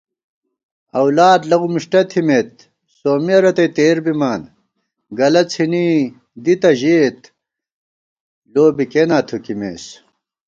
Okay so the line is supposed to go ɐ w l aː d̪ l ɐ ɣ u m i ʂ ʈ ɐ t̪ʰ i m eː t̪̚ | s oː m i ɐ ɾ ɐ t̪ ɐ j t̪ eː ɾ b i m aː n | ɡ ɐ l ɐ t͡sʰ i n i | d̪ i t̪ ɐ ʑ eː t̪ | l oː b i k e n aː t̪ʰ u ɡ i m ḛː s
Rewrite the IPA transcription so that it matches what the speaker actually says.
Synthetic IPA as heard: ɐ w l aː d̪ l ɐ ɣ u m i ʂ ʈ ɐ t̪ʰ i m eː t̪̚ | s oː m i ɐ ɾ ɐ t̪ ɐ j t̪ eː ɾ b i m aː n | ɡ ɐ l ɐ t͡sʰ i n i | d̪ i t̪ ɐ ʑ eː t̪ | l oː b i k e n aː t̪ʰ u k i m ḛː s